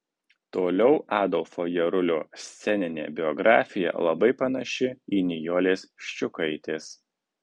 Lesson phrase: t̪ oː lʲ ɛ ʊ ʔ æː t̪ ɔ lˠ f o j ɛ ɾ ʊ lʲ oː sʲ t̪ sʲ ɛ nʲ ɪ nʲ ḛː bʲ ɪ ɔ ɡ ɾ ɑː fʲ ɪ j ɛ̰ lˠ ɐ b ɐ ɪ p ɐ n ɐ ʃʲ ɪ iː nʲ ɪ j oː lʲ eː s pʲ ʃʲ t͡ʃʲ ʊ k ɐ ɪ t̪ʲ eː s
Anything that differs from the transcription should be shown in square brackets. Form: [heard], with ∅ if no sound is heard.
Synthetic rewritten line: t̪ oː lʲ ɛ ʊ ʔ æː [d̪] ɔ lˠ f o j ɛ ɾ ʊ lʲ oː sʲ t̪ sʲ ɛ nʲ ɪ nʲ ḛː bʲ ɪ ɔ ɡ ɾ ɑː fʲ ɪ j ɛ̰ lˠ ɐ b ɐ ɪ p ɐ n ɐ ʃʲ ɪ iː nʲ ɪ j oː lʲ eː s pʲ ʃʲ t͡ʃʲ ʊ k ɐ ɪ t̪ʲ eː s